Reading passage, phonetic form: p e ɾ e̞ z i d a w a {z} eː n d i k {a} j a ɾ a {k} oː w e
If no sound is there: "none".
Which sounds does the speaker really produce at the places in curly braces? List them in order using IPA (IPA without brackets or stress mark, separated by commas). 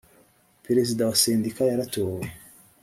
s, a, t